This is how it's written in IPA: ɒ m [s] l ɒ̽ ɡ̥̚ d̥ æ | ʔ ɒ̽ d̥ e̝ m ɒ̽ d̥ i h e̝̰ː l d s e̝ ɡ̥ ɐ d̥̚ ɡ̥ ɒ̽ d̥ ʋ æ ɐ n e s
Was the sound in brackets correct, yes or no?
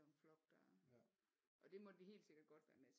no